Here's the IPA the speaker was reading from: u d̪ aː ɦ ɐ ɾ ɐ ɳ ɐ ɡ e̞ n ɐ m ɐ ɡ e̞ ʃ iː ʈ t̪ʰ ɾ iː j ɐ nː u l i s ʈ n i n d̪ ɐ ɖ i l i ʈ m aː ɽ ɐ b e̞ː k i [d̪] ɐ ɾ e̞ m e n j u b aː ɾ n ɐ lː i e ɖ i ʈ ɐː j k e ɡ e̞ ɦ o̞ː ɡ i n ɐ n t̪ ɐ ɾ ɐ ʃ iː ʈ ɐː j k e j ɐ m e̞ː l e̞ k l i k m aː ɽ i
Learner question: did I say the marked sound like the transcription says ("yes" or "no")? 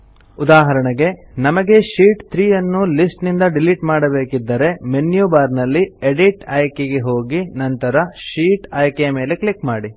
no